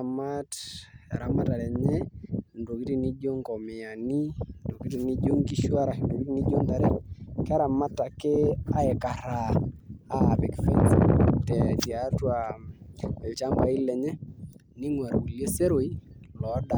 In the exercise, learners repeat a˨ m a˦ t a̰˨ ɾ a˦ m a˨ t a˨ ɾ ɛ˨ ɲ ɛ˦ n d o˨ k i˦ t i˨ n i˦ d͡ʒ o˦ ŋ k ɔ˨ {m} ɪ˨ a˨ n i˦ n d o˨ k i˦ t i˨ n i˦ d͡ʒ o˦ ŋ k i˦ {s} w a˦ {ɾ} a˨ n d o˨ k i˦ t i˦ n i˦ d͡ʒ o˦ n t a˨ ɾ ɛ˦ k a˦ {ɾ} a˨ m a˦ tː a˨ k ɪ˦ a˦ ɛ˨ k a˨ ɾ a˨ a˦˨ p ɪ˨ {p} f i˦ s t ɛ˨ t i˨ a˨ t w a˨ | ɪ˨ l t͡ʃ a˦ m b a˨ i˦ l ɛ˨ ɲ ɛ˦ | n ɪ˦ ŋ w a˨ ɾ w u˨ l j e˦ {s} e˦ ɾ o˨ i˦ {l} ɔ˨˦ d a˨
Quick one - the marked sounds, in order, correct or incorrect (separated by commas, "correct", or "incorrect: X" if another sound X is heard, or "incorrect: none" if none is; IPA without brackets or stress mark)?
correct, incorrect: ʃ, correct, correct, incorrect: k, correct, correct